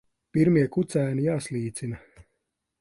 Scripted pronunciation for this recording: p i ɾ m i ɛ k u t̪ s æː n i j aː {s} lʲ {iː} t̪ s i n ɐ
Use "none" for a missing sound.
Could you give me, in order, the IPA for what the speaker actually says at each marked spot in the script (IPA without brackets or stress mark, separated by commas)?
s, iː